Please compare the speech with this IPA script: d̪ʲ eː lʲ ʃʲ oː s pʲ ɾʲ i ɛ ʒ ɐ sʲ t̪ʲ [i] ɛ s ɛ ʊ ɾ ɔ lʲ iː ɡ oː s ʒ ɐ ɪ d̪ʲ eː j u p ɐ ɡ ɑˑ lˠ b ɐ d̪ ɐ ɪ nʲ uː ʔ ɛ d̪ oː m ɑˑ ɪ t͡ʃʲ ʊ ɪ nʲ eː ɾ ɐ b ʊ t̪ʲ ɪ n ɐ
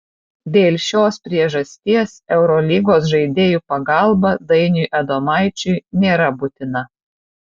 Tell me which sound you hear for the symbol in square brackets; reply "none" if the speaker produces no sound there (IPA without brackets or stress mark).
i